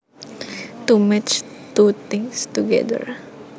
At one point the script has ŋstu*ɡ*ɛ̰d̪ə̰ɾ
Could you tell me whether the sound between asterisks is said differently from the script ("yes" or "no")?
no